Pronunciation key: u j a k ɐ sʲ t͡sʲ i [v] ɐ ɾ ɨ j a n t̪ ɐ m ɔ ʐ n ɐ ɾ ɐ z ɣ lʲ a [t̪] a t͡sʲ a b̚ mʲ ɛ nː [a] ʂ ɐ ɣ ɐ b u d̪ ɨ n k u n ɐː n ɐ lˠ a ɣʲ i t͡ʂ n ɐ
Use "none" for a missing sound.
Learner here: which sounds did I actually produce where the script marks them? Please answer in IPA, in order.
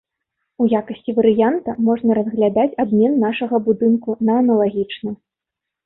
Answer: v, d̪, a

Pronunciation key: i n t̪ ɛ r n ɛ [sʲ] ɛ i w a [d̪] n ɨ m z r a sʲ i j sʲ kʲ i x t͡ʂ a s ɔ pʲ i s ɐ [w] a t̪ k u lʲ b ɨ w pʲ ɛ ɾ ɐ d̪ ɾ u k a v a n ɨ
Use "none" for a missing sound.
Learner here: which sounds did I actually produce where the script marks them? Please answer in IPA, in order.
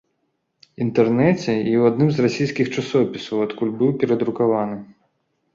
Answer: t͡sʲ, d̪, w

